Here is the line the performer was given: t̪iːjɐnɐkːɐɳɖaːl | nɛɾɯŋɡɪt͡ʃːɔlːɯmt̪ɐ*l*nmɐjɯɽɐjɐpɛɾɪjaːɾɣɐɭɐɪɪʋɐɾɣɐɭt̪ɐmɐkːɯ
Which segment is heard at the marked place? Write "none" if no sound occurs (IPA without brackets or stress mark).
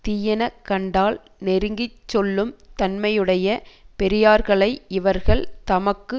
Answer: none